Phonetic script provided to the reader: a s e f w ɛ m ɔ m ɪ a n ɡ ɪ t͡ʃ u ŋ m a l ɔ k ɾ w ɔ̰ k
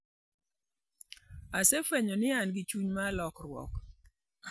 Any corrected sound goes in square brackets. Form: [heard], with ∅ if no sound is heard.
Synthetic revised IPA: a s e f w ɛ [ɲ] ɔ [n] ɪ a n ɡ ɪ t͡ʃ u [ɲ] m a l ɔ k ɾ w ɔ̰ k